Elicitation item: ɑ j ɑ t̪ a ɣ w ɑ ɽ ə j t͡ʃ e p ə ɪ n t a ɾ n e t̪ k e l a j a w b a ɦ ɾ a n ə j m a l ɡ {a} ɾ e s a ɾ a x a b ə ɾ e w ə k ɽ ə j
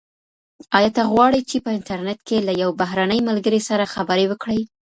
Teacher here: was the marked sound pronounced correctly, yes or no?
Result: no